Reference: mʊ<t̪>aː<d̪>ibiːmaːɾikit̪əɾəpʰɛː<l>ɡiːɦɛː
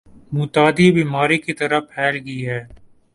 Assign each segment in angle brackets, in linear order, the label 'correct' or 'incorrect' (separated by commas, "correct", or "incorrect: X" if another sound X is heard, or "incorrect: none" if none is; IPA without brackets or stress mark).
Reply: correct, correct, correct